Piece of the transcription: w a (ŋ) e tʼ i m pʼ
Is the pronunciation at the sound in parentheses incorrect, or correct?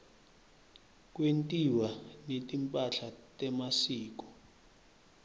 incorrect